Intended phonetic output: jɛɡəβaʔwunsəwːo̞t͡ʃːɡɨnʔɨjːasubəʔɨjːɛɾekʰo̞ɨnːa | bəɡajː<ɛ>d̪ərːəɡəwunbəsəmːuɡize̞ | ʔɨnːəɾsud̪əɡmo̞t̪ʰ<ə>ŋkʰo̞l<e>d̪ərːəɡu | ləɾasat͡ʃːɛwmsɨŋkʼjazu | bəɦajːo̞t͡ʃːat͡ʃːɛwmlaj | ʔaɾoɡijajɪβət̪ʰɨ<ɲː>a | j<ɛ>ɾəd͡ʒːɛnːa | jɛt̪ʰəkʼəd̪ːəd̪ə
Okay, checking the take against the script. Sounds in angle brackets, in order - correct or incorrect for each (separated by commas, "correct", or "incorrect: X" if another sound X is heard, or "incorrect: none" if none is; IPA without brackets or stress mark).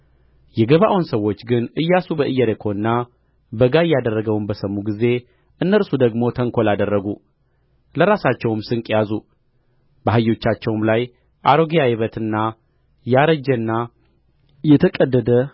incorrect: a, correct, incorrect: a, incorrect: nː, incorrect: a